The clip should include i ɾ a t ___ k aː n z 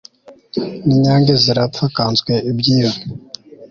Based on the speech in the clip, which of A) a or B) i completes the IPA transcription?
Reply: A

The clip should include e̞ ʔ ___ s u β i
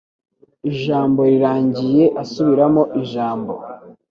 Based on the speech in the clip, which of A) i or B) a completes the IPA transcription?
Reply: B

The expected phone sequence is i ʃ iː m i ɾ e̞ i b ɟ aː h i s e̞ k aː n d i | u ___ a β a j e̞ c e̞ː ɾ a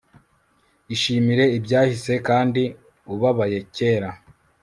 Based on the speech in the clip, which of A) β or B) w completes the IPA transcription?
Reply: A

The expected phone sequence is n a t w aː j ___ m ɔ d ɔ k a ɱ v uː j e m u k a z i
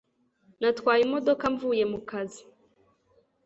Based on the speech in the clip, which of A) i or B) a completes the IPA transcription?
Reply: A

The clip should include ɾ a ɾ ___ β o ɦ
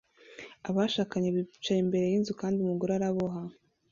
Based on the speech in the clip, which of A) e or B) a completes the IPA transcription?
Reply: B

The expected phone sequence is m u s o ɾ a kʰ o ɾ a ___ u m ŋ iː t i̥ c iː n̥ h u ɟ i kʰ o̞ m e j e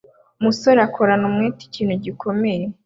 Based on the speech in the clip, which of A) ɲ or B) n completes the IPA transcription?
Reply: B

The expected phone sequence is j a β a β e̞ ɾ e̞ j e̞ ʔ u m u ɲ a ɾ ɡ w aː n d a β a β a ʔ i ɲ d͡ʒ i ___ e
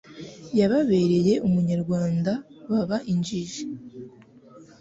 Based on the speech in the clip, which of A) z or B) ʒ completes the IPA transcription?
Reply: B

